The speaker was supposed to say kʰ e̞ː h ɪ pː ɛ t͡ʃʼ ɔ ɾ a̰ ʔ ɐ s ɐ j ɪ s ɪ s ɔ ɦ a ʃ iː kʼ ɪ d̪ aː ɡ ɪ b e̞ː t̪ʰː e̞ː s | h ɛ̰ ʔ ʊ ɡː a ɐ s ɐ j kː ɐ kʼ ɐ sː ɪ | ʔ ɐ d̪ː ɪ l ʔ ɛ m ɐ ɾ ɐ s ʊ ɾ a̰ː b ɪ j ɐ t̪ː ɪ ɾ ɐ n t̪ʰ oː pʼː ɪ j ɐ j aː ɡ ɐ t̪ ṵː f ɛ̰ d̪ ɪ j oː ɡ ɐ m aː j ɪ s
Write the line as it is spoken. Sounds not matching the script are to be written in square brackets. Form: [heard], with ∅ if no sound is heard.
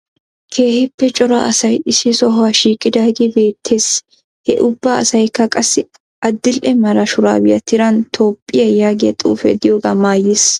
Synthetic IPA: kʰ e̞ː h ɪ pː ɛ t͡ʃʼ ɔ ɾ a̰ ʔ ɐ s ɐ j ɪ s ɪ s ɔ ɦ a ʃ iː kʼ ɪ d̪ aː ɡ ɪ b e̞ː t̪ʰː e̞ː s | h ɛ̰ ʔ ʊ [bː] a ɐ s ɐ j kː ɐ kʼ ɐ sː ɪ | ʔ ɐ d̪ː ɪ l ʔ ɛ m ɐ ɾ ɐ [ʃ] ʊ ɾ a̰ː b ɪ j ɐ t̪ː ɪ ɾ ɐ n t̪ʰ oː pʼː ɪ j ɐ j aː ɡ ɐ [t̪ʼ] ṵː f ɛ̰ d̪ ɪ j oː ɡ ɐ m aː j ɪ s